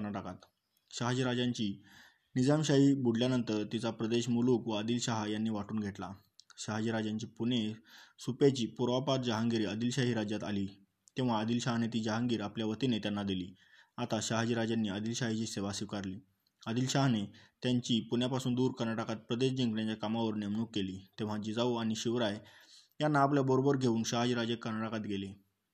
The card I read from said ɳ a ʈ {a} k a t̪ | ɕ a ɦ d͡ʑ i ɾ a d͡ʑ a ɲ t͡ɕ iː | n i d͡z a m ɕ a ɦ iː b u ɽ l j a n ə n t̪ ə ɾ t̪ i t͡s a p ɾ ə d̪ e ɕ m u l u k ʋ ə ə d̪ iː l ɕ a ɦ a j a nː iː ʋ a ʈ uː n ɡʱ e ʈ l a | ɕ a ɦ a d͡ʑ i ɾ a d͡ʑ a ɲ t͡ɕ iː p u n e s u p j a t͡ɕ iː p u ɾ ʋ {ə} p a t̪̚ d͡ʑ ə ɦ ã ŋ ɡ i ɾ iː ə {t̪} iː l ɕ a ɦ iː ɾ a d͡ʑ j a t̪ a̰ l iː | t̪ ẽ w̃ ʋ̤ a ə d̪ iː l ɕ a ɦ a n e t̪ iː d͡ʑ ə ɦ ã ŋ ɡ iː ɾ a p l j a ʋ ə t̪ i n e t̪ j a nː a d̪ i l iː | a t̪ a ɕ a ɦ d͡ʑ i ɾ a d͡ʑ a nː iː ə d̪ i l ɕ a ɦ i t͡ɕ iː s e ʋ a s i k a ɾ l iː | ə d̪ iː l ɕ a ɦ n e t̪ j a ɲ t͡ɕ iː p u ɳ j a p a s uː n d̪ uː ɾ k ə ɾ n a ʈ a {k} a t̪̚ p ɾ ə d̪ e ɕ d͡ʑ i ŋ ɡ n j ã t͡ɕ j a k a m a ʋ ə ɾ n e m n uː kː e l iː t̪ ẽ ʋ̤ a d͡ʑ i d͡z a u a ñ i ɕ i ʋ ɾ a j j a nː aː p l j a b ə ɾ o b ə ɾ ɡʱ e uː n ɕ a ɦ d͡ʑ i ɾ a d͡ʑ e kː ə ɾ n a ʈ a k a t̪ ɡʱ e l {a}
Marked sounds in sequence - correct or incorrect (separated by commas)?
correct, incorrect, incorrect, correct, incorrect